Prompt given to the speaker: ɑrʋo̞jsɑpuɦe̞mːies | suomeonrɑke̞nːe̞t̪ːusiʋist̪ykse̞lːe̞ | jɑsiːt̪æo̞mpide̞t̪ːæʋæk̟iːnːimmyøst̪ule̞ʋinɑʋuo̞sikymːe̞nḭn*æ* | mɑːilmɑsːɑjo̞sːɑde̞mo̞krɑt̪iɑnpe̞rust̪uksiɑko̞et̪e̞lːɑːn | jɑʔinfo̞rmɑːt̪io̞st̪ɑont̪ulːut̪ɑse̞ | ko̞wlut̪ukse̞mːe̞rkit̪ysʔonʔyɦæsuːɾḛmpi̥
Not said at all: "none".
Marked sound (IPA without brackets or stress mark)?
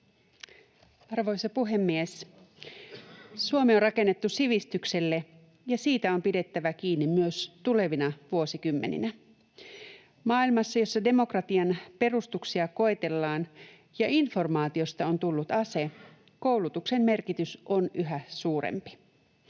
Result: æ